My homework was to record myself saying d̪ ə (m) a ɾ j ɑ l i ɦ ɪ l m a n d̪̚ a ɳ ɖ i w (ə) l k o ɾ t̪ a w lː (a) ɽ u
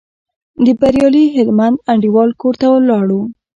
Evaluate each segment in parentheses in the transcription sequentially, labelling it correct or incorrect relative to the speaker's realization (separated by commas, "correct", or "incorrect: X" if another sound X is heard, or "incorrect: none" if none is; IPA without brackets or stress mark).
incorrect: b, incorrect: ɑ, incorrect: ɑ